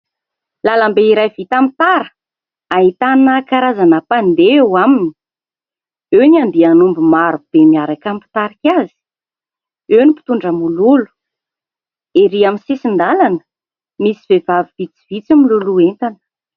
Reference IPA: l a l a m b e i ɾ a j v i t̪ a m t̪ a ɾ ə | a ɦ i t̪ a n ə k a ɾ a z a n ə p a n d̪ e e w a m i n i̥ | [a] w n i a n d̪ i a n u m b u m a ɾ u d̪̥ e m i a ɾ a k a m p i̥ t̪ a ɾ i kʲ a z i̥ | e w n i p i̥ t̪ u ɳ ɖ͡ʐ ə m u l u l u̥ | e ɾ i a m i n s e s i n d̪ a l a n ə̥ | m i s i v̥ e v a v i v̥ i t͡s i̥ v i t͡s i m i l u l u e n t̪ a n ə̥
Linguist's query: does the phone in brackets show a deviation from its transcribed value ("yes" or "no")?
yes